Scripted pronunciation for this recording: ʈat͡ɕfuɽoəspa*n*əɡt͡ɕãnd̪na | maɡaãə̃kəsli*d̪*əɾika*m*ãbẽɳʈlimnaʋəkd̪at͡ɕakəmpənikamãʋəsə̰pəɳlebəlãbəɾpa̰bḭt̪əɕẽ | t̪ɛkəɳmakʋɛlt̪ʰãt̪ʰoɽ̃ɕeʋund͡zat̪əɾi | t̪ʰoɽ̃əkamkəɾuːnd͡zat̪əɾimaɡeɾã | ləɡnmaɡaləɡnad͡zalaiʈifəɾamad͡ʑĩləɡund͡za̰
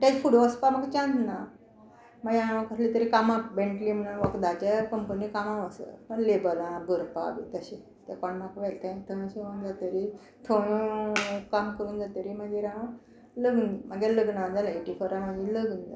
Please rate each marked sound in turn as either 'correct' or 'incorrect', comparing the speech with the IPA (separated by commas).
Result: incorrect, incorrect, correct